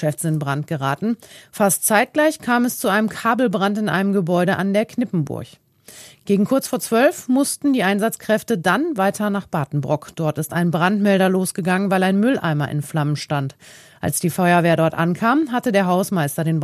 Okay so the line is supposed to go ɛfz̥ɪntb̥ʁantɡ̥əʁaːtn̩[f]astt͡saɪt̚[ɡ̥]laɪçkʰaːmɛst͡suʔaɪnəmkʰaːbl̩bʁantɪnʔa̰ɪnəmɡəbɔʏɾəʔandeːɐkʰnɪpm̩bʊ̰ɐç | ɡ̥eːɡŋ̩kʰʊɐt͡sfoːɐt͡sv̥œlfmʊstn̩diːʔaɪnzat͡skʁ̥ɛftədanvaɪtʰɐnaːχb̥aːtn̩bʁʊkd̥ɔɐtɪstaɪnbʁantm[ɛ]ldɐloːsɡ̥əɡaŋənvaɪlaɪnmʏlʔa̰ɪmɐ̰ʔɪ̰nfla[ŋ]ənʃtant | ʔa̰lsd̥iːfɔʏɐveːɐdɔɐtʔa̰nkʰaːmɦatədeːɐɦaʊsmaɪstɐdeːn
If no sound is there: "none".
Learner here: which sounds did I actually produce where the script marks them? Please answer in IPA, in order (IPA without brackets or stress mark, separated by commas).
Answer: f, ɡ̥, ɛ, m